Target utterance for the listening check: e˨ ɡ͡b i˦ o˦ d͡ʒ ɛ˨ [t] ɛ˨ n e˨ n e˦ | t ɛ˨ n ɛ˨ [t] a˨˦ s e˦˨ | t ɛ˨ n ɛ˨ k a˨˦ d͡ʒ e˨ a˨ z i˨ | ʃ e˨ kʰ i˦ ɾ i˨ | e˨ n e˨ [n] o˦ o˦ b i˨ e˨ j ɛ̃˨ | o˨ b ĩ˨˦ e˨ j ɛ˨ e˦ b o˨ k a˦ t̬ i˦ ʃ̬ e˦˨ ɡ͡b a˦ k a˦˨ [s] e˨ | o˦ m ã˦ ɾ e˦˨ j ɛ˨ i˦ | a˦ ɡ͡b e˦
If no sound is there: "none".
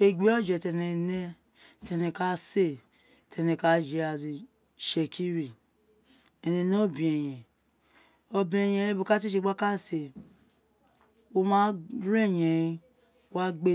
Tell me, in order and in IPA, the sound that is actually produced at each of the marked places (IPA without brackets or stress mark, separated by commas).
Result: t, k, n, s